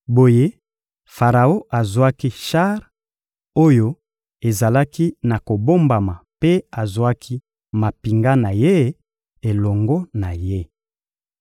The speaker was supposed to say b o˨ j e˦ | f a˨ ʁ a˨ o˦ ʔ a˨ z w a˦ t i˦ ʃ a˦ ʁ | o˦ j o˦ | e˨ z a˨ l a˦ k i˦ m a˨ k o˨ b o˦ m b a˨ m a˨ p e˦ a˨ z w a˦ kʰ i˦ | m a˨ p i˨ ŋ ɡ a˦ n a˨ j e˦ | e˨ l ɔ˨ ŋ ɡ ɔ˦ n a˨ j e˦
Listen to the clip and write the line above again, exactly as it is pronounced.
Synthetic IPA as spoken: b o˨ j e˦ | f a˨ ʁ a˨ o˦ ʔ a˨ z w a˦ k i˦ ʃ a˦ ʁ | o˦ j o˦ | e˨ z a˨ l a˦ k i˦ n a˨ k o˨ b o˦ m b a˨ m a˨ p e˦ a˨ z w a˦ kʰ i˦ | m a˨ p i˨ ŋ ɡ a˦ n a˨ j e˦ | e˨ l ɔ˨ ŋ ɡ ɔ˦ n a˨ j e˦